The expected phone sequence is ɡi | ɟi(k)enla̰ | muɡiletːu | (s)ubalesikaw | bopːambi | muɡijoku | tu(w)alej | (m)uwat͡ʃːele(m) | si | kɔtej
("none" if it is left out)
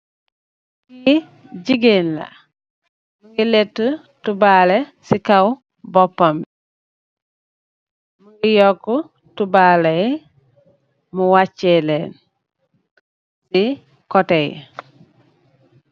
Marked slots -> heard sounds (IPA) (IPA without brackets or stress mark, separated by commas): ɡ, t, b, m, n